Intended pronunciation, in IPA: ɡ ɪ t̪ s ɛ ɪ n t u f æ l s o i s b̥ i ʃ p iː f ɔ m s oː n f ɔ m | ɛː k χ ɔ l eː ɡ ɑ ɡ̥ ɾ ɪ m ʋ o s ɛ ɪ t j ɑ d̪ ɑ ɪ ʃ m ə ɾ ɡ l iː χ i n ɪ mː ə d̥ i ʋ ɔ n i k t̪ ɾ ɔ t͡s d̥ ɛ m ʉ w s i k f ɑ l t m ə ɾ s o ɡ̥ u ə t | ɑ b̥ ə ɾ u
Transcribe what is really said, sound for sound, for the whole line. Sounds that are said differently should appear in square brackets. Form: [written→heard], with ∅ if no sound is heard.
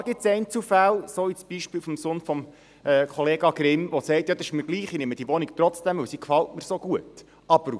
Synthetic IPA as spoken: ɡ ɪ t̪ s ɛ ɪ n [t→t͡s] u f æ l s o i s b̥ i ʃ p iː f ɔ m s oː n f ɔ m | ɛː k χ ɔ l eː ɡ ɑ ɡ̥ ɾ ɪ m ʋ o s ɛ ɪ t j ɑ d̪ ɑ ɪ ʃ m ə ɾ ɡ l iː χ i n ɪ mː ə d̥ i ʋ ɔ n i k t̪ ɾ ɔ t͡s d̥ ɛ m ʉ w s i k f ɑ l t m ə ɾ s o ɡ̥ u ə t | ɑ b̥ ə ɾ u

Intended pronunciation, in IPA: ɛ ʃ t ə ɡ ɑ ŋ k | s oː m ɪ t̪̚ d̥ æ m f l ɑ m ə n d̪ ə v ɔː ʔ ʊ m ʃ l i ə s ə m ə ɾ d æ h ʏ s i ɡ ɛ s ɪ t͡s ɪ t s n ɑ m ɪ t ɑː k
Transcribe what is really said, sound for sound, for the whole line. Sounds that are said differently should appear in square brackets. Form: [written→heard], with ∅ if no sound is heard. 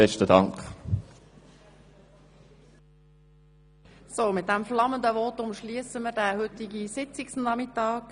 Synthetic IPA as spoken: ɛ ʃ t ə [ɡ→d] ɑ ŋ k | s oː m ɪ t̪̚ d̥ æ m f l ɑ m ə n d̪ ə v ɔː [ʔ→t] ʊ m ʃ l i ə s ə m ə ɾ d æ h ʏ [s→t] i ɡ [ɛ→i] s ɪ t͡s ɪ [t→k] s n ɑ m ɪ t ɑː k

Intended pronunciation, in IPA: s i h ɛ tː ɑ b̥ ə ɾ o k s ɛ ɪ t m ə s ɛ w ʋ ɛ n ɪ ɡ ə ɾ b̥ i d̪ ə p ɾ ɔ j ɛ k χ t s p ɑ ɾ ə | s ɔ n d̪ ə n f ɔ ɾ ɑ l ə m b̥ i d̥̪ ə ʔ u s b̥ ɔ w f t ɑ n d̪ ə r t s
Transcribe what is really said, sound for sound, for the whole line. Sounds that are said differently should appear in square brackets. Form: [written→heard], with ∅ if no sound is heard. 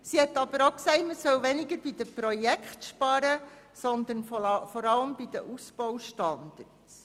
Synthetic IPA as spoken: s i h ɛ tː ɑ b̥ ə ɾ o k s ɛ ɪ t m ə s [ɛ→œ] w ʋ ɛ n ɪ ɡ ə ɾ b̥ i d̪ ə p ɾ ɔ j ɛ k χ t [s→ʃ] p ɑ ɾ ə | s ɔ n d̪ ə n f ɔ ɾ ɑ l ə m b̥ i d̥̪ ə ʔ u s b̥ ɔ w [f→ʃ] t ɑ n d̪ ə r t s

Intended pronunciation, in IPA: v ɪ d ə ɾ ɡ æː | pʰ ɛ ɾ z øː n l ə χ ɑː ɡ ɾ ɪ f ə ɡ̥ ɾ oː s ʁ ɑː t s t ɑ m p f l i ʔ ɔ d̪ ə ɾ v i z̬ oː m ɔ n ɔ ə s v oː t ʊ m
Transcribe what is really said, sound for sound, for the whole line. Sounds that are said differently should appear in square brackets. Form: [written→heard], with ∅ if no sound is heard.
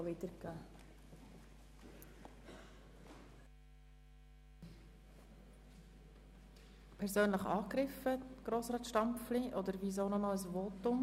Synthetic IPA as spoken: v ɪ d ə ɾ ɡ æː | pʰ ɛ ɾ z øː n l ə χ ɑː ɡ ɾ ɪ f ə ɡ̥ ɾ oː s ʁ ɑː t [s→ʃ] t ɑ m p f l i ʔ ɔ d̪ ə ɾ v i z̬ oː [m→n] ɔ n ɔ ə s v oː t ʊ m

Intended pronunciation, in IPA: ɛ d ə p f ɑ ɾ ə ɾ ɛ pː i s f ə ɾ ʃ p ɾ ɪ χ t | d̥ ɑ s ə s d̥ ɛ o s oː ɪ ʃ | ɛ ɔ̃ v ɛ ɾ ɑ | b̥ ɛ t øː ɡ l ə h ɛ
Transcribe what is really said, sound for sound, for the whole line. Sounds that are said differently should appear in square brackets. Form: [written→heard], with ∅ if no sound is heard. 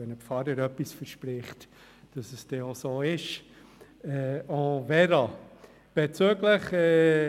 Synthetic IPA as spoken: ɛ [d→n] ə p f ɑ ɾ ə ɾ [ɛ→œ] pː i s f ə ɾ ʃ p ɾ ɪ χ t | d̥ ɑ s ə s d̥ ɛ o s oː ɪ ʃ | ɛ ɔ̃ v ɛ ɾ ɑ | b̥ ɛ [t→t͡s] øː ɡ l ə [h→χ] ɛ

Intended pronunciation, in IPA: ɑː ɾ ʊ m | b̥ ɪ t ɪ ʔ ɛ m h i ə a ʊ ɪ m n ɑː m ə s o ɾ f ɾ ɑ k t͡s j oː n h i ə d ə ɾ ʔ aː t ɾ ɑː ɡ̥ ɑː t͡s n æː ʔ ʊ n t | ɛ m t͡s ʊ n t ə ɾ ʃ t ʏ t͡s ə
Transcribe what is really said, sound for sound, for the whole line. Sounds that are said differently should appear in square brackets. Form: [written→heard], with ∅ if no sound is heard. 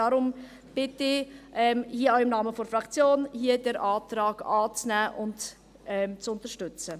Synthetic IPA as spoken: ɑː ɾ ʊ m | b̥ ɪ t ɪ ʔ ɛ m h i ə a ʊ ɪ m n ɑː m ə [s→f] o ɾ f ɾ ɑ k t͡s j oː n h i ə d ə ɾ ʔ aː t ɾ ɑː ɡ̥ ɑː t͡s n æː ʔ ʊ n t | ɛ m t͡s ʊ n t ə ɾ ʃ t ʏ t͡s ə

